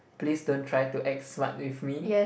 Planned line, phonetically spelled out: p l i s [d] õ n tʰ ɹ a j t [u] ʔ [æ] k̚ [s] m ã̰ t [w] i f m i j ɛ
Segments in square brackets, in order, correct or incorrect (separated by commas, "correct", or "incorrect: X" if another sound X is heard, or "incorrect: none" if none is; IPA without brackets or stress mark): correct, correct, incorrect: ɛ, correct, correct